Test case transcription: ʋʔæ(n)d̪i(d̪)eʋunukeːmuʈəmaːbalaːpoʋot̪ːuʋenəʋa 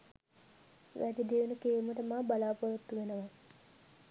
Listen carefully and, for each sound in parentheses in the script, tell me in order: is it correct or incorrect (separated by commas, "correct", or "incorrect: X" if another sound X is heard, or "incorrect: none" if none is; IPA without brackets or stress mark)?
incorrect: none, correct